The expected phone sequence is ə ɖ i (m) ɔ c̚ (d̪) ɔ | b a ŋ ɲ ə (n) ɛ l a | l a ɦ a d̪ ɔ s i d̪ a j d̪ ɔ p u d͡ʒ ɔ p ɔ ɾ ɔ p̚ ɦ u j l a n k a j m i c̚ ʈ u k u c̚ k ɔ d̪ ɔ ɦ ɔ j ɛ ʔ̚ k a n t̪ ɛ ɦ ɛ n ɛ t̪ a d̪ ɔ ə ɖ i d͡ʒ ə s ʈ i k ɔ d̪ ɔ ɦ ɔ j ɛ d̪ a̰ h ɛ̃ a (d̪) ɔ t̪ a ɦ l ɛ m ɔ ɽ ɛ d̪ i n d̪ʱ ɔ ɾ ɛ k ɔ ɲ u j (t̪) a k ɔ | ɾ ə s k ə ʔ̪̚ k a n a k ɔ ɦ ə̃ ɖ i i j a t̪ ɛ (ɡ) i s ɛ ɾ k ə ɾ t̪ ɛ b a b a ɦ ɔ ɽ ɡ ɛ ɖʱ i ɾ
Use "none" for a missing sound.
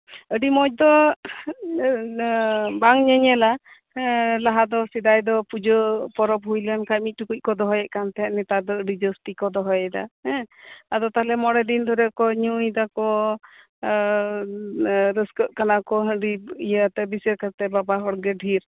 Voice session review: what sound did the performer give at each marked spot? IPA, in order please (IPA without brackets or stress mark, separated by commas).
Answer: m, d̪, ɲ, d̪, d̪, b